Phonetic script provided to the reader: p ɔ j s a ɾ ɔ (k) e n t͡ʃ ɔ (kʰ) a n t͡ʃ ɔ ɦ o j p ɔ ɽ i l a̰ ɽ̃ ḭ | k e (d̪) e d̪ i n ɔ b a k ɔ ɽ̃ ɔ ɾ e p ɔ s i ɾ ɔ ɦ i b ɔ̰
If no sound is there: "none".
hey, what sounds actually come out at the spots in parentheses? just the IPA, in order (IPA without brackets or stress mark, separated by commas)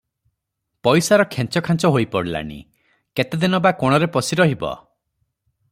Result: kʰ, kʰ, t̪